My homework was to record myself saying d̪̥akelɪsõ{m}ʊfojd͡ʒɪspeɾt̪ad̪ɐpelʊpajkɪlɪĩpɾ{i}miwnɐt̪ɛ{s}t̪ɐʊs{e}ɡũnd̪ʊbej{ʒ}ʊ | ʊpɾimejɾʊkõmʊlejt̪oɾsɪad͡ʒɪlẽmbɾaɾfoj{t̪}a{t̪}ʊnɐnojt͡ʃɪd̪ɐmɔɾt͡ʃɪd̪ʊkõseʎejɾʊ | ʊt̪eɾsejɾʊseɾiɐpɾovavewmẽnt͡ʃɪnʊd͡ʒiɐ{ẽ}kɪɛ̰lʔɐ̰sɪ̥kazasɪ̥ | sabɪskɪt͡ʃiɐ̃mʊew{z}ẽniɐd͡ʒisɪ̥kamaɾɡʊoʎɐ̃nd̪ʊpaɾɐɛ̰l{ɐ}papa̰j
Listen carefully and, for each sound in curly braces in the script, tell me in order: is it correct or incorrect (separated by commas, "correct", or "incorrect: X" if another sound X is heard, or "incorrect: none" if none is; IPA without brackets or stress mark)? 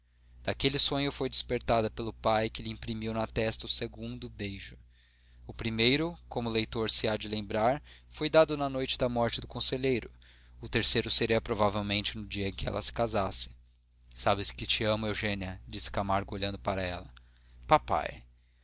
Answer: incorrect: ɲ, correct, correct, correct, correct, incorrect: d̪, incorrect: d̪, correct, incorrect: ʒ, correct